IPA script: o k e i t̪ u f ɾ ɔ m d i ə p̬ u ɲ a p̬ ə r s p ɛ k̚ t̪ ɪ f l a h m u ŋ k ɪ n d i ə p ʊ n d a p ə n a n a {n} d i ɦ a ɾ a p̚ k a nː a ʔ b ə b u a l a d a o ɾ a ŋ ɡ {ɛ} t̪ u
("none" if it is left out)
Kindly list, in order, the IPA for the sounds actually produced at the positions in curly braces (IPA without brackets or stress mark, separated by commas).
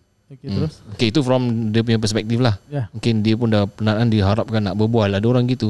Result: n, i